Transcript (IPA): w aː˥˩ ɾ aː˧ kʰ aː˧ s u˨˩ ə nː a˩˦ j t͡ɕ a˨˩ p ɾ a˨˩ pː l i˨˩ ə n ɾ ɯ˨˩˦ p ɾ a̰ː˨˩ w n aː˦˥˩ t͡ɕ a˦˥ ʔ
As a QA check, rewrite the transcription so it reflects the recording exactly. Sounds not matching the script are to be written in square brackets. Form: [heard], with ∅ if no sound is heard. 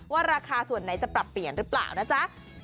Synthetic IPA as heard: w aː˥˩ ɾ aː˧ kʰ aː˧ s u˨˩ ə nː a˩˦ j t͡ɕ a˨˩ p ɾ a˨˩ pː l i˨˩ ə n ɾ [ɯ˦˥] p [l] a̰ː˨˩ w n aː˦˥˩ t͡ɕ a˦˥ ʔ